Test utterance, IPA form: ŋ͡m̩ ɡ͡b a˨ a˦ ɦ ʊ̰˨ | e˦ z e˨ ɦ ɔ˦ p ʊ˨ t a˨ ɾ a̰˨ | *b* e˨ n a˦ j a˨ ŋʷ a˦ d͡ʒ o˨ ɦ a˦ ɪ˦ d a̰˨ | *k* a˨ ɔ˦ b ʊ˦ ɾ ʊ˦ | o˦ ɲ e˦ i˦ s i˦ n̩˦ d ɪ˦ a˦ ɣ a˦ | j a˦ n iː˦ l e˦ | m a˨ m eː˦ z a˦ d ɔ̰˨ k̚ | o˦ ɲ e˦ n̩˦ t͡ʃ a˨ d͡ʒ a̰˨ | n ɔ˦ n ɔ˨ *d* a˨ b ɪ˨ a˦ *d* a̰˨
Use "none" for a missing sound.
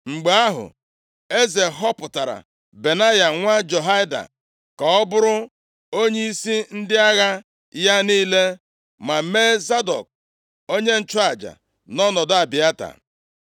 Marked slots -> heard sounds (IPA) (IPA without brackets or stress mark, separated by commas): b, k, d, t